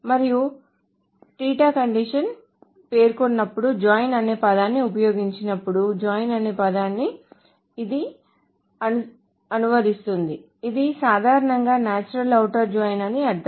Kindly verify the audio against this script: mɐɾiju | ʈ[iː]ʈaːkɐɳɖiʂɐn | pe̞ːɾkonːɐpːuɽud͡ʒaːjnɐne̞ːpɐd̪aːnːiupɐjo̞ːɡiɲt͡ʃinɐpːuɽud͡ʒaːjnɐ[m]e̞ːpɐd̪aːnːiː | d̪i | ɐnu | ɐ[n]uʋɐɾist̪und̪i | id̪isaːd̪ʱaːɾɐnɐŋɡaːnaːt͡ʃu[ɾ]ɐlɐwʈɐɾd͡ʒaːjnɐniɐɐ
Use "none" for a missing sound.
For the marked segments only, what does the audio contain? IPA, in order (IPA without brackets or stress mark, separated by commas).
iː, n, n, ɾ